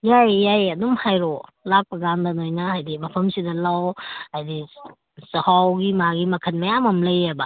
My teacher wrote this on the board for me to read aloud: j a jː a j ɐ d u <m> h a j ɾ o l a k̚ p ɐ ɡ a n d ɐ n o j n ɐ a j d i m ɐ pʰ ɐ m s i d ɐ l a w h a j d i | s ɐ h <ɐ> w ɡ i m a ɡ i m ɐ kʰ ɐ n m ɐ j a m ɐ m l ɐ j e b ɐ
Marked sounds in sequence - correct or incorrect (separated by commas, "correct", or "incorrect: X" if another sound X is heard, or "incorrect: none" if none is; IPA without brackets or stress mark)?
correct, incorrect: a